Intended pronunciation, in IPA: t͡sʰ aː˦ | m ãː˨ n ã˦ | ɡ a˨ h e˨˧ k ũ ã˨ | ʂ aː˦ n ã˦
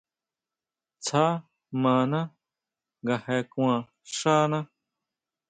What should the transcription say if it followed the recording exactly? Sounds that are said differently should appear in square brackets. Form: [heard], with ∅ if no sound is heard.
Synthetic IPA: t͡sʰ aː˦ | m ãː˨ n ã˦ | ɡ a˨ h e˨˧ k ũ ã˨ | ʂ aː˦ n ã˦